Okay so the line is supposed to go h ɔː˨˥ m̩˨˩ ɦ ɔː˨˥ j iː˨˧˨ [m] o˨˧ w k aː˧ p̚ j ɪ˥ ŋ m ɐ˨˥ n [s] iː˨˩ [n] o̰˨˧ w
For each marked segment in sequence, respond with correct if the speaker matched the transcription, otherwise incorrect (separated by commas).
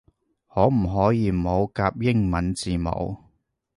correct, incorrect, incorrect